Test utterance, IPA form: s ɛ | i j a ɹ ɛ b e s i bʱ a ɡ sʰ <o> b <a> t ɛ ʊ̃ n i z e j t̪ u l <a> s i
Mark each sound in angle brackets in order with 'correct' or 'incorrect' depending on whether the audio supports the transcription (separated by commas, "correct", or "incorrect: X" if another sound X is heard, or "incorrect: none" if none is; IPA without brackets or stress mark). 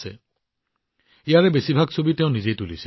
correct, incorrect: i, incorrect: i